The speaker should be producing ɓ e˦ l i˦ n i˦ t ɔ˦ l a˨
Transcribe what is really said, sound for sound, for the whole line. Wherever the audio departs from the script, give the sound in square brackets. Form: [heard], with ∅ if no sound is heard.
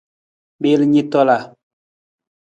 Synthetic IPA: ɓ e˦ l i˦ [ɲ] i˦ t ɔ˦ l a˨